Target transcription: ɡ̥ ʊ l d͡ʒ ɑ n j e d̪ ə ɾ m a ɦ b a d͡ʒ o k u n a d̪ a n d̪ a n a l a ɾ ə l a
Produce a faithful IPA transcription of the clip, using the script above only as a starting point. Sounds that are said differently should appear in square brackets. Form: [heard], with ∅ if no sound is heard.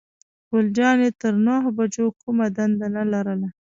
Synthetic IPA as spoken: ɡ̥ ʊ l d͡ʒ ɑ n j e [t̪] ə ɾ [n] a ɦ b a d͡ʒ o k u [m] a d̪ a n d̪ a n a l a ɾ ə l a